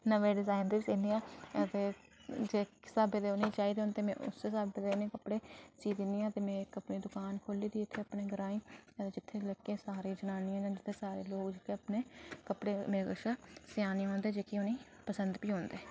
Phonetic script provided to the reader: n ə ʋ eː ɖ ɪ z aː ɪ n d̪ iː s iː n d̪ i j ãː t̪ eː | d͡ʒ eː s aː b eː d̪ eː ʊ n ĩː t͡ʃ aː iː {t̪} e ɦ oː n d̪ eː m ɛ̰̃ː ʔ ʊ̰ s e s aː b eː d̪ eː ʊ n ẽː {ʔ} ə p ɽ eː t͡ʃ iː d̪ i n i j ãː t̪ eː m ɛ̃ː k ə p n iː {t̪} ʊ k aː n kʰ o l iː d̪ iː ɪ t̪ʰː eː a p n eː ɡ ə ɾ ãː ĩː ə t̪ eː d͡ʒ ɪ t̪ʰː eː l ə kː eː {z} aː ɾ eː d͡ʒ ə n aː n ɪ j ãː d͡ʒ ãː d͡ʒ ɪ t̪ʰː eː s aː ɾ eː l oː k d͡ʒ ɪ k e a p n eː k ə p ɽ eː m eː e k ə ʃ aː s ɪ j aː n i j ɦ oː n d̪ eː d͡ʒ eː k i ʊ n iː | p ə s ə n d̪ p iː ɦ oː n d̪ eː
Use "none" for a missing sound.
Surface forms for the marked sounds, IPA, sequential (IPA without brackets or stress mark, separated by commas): d̪, k, d̪, s